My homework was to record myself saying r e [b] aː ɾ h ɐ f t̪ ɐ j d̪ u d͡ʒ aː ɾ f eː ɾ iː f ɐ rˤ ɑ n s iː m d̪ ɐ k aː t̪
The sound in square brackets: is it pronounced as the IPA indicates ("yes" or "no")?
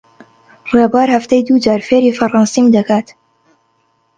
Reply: yes